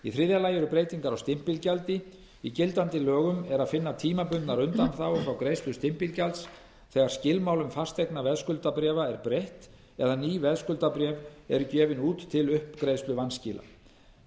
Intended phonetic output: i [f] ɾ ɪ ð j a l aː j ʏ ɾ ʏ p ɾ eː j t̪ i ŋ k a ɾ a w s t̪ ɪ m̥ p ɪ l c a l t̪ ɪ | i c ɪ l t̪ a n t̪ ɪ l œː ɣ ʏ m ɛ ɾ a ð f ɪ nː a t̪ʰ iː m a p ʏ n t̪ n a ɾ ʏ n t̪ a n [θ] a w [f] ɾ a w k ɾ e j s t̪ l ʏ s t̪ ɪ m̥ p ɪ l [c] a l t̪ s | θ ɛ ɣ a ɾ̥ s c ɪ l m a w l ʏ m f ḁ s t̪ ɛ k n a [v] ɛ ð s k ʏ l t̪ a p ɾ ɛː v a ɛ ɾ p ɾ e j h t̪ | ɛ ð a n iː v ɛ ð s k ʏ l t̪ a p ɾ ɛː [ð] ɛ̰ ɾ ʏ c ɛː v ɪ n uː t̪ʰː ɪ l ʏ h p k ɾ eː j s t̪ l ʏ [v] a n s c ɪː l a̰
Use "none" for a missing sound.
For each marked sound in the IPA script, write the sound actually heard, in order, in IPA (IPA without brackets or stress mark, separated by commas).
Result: θ, θ, f, c, v, v, v